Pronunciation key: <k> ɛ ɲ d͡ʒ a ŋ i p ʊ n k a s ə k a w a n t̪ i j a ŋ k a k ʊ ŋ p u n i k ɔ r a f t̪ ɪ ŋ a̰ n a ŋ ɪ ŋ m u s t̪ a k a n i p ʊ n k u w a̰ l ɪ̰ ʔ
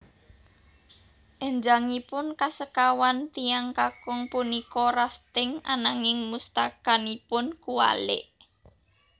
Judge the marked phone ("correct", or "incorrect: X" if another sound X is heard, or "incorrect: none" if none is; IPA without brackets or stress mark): incorrect: ʔ